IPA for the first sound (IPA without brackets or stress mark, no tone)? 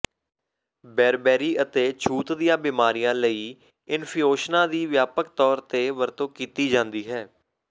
b